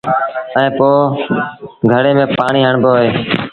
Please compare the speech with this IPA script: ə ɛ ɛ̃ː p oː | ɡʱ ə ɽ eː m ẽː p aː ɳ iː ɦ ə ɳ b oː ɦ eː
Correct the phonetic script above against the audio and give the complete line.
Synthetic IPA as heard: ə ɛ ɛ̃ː p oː | ɡʱ ə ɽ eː m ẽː p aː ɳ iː ɦ ə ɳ b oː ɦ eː